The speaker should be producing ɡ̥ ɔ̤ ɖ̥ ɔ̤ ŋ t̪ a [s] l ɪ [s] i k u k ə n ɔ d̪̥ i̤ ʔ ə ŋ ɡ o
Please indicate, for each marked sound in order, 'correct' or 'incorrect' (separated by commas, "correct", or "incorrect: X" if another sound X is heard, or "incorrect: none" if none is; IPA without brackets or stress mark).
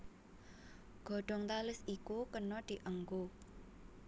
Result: incorrect: none, correct